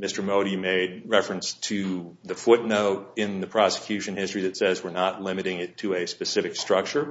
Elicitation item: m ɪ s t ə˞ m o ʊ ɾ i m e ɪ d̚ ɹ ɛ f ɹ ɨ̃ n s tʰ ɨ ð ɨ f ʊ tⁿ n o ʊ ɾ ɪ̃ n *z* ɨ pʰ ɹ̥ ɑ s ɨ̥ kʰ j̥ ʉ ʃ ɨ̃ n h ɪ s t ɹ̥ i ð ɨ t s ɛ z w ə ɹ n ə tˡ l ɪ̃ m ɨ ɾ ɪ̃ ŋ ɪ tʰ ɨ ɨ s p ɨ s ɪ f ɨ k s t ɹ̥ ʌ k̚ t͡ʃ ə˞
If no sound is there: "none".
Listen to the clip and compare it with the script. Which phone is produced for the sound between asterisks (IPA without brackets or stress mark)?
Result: ð